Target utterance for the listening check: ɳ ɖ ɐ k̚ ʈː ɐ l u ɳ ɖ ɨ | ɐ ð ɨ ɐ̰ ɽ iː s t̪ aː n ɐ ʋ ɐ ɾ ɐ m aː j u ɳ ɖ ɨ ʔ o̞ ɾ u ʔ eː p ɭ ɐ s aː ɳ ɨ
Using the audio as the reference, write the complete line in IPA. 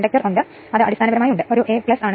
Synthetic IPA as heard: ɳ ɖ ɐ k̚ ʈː ɐ r u ɳ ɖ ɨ | ɐ ð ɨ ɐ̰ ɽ i s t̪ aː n ɐ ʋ ɐ ɾ ɐ m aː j u ɳ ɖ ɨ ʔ o̞ ɾ u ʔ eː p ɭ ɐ s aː ɳ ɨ